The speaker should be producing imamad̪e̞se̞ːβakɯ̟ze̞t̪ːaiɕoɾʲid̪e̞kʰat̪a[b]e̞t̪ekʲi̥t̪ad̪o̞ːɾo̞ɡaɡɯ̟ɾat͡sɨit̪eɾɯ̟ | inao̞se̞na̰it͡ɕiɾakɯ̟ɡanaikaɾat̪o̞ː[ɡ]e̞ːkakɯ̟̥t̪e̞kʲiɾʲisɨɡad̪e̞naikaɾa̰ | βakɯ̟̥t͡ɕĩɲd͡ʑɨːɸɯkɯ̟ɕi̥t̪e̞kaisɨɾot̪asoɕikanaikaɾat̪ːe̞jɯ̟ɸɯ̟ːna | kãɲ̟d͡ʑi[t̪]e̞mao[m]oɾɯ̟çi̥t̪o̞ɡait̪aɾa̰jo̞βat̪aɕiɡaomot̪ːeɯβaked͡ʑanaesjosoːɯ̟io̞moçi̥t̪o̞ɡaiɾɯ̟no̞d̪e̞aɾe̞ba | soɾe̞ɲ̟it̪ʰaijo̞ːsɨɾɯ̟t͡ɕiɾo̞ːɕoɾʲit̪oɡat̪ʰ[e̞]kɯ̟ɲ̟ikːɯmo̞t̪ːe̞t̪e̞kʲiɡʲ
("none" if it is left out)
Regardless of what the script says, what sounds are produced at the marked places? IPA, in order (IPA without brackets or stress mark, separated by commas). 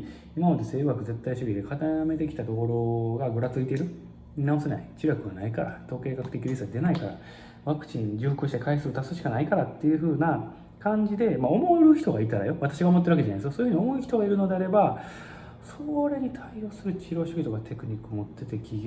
m, k, d̪, m, e̞